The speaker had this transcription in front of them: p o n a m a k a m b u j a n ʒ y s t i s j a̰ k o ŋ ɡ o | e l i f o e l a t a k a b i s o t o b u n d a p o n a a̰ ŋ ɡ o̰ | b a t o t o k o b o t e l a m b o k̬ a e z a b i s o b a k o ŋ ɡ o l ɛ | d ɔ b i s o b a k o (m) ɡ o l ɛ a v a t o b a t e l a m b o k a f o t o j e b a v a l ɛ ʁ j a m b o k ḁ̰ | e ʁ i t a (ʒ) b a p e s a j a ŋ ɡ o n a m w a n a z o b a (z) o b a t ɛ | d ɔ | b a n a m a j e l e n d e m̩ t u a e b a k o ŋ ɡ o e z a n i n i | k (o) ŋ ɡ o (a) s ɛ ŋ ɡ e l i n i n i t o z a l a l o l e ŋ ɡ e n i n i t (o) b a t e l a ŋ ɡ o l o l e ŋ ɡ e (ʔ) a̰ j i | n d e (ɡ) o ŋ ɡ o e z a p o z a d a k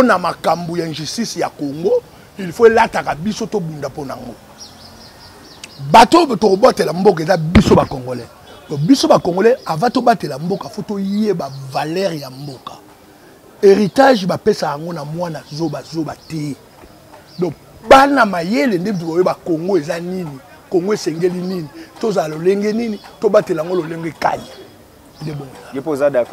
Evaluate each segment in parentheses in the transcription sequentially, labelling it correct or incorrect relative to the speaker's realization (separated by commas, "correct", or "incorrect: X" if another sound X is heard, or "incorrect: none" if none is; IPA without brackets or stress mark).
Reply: incorrect: ŋ, correct, correct, correct, incorrect: e, correct, incorrect: k, incorrect: b